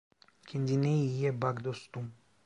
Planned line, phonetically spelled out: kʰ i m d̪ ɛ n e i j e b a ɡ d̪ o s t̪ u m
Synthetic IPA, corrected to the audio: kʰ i n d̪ i n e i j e b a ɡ d̪ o s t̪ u m